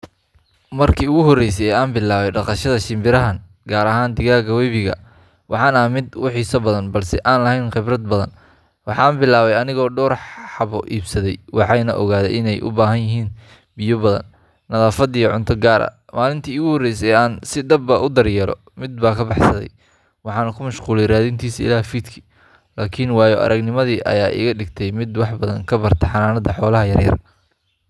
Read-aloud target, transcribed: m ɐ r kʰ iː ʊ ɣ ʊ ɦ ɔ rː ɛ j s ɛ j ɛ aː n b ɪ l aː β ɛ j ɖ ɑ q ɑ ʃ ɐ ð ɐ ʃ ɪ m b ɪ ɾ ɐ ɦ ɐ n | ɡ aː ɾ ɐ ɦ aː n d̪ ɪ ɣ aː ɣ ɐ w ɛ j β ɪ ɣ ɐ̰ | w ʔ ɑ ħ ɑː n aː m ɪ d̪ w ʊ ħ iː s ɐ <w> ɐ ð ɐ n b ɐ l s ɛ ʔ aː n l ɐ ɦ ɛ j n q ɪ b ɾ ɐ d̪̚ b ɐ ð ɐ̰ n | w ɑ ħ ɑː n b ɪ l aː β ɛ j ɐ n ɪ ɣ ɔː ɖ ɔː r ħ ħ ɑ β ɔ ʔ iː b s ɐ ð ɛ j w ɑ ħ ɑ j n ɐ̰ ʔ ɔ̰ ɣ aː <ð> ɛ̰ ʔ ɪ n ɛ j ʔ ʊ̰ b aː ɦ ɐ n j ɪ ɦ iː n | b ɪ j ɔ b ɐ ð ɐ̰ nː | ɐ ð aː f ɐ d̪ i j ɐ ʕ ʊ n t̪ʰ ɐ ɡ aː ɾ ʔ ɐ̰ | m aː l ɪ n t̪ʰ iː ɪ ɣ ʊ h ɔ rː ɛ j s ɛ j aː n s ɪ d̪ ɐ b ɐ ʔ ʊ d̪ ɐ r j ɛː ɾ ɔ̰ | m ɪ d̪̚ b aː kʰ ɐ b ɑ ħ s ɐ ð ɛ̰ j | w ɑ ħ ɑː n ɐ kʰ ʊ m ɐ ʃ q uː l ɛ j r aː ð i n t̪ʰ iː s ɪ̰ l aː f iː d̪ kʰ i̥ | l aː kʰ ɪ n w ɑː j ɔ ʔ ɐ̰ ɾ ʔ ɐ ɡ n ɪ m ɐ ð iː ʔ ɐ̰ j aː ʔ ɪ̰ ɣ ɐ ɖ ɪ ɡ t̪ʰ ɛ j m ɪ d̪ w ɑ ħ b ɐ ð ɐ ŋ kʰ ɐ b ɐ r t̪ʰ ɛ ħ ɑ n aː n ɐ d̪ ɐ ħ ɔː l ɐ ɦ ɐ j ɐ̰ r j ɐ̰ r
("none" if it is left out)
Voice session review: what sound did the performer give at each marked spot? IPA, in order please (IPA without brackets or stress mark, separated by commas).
b, ð